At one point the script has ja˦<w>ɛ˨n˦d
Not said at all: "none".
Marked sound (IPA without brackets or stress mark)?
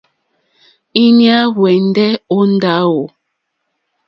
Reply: w